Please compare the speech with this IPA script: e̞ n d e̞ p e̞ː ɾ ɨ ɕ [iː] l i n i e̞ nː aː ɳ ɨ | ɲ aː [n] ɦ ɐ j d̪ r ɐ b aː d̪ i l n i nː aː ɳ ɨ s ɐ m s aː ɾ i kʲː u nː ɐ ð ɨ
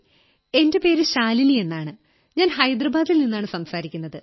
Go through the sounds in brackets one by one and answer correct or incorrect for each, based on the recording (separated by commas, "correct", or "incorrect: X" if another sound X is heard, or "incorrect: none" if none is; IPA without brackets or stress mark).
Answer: incorrect: aː, correct